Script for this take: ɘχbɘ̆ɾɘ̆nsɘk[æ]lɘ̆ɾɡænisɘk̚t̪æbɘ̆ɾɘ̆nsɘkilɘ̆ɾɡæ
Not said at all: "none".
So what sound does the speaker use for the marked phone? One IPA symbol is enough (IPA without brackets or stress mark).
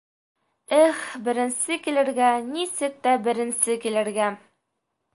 i